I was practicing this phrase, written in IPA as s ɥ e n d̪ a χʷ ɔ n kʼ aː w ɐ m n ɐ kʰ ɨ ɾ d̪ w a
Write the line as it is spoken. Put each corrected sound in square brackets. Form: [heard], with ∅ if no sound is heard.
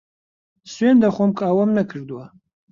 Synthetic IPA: s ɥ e n d̪ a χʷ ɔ [m] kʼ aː w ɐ m n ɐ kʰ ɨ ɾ d̪ w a